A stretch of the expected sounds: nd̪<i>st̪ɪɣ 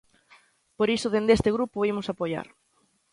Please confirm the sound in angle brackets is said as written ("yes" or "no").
no